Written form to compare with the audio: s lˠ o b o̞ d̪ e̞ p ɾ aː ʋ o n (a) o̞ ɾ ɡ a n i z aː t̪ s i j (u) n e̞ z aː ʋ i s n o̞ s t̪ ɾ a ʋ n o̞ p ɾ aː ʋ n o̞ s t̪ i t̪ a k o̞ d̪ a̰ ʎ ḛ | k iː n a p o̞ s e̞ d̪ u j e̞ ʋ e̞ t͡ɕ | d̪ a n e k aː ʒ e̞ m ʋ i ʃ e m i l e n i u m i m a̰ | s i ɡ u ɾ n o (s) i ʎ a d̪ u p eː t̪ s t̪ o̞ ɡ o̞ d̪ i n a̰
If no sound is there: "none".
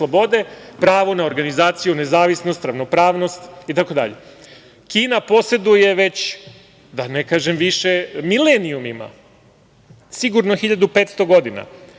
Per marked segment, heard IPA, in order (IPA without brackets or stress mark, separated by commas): a, u, x